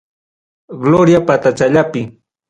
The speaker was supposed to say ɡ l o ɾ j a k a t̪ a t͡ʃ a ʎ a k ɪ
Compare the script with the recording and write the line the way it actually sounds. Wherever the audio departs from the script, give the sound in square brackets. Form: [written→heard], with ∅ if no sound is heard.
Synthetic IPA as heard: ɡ l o ɾ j a [k→p] a t̪ a t͡ʃ a ʎ a [k→p] ɪ